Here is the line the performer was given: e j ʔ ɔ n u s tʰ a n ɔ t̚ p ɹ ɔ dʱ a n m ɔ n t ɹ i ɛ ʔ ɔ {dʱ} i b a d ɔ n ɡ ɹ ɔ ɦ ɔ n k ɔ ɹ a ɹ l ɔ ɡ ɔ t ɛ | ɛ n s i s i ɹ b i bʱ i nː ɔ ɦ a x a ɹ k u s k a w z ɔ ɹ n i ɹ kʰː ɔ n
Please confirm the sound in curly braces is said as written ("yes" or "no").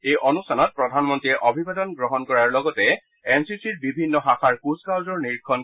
no